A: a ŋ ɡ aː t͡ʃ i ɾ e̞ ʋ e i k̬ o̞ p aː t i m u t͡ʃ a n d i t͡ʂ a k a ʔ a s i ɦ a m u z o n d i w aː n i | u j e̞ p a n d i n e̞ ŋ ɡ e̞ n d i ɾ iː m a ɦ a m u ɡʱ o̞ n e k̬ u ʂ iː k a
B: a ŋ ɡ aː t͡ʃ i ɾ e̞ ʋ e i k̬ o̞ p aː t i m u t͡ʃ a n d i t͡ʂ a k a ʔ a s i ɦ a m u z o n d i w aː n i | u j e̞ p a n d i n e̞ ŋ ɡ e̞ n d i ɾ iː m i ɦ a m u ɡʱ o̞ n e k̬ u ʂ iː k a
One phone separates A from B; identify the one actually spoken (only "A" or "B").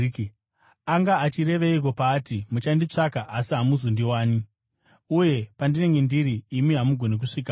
B